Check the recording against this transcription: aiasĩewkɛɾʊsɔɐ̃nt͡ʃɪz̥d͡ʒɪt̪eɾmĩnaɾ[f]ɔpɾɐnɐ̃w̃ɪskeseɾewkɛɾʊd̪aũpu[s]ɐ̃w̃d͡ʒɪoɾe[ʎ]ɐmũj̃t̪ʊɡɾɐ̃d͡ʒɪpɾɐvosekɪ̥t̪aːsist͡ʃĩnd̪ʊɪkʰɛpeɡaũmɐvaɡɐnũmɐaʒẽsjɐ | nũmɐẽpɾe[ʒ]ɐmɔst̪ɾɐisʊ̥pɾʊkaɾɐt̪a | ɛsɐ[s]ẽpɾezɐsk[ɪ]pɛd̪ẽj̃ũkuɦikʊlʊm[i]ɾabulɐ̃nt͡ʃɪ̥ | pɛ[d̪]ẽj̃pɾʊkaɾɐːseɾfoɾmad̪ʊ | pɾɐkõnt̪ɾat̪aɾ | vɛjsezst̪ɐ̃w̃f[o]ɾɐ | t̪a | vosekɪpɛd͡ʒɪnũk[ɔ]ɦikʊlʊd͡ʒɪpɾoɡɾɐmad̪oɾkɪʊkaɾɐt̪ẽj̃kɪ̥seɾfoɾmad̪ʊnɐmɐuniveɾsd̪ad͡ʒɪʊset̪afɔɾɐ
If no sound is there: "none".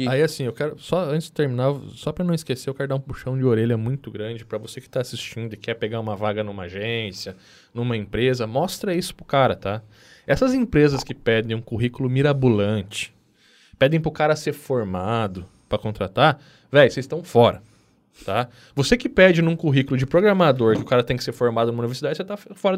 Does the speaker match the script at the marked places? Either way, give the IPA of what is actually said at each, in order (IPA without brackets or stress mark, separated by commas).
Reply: s, ʃ, ʎ, z, z, ɪ, i, d̪, ɔ, u